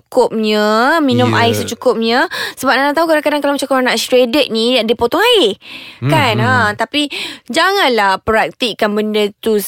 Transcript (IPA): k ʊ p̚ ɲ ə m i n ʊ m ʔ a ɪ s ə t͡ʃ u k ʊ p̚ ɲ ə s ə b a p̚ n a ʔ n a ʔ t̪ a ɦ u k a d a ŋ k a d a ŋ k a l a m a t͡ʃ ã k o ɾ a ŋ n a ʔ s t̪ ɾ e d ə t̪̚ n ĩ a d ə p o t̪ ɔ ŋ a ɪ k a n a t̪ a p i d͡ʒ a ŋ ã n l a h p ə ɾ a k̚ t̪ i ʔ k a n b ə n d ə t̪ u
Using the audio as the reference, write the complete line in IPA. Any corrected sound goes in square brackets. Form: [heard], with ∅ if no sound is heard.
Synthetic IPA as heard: k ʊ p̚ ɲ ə m i n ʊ m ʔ a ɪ s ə t͡ʃ u k ʊ p̚ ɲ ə s ə b a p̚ n a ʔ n a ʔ t̪ a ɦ u k a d a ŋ k a d a ŋ k a l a m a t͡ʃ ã k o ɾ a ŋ n a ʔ s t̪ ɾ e d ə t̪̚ n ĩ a d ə p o t̪ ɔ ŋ a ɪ k a n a t̪ a p i d͡ʒ a ŋ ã n l a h p ə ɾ a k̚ t̪ i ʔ k a n b ə n d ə t̪ u